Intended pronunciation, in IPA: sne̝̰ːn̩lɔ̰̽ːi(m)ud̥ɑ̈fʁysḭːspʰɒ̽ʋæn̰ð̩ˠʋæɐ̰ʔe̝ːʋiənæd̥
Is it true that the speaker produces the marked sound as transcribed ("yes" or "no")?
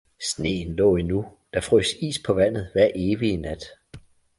no